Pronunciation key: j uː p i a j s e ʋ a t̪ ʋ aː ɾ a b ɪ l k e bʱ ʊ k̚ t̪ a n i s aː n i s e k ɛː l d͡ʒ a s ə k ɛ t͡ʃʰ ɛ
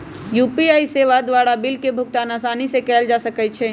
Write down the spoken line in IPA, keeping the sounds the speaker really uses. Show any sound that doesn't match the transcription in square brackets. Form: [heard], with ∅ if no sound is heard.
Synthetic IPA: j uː p i a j s e ʋ a [d̪] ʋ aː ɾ a b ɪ l k e bʱ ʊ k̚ t̪ a n [a] s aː n i s e k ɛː l d͡ʒ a s ə k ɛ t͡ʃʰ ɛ